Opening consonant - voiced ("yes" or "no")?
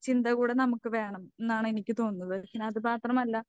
no